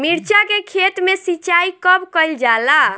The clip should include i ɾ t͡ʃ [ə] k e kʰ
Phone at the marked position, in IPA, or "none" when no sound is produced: a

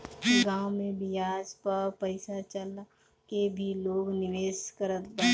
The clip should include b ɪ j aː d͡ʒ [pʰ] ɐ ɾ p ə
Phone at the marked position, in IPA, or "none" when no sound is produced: p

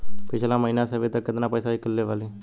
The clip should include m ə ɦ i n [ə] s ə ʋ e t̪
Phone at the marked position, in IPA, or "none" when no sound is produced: a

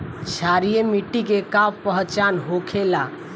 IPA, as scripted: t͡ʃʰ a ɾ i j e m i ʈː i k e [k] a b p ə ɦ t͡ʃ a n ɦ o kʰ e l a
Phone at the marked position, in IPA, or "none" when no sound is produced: k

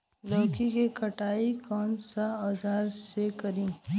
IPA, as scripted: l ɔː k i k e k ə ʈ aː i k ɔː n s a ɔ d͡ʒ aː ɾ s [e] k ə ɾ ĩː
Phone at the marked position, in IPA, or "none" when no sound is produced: e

